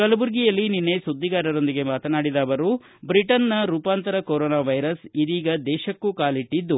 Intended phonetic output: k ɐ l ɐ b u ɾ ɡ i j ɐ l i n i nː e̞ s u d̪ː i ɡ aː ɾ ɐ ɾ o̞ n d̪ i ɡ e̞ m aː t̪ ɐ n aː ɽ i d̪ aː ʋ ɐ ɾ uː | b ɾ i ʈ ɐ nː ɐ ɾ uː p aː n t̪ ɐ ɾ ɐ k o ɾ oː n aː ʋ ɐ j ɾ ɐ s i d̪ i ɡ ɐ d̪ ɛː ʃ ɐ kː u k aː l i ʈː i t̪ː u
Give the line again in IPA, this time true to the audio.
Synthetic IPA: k ɐ l ɐ b u ɾ ɡ i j ɐ lː i n i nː e̞ s u d̪ː i ɡ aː ɾ ɐ ɾ o̞ n d̪ i ɡ e̞ m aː t̪ ɐ n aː ɽ i d̪ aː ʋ ɐ ɾ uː | b ɾ i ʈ ɐ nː ɐ ɾ uː p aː n t̪ ɐ ɾ ɐ k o ɾ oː n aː ʋ ɐ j ɾ ɐ s i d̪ iː ɡ ɐ d̪ ɛː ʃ ɐ kː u k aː l i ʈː i d̪ː u